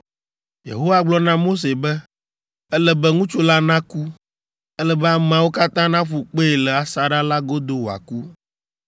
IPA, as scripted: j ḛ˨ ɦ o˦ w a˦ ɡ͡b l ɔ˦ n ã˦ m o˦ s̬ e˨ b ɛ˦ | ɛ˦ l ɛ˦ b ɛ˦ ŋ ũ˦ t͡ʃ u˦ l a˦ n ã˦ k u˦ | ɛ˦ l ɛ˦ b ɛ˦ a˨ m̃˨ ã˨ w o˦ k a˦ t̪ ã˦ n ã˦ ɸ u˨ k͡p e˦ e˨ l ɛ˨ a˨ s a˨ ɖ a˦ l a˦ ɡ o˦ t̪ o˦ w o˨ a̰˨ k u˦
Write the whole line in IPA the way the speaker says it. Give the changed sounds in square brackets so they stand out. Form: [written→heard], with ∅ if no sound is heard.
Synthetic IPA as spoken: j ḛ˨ ɦ o˦ w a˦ ɡ͡b l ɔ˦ n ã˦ m o˦ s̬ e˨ b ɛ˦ | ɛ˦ l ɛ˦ b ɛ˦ ŋ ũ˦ t͡ʃ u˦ l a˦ n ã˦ k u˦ | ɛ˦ l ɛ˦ b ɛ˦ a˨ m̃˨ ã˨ w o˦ k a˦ t̪ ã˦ n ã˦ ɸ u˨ k͡p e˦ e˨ l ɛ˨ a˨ s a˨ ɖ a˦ l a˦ ɡ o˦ [t̪→d̪] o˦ w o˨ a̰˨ k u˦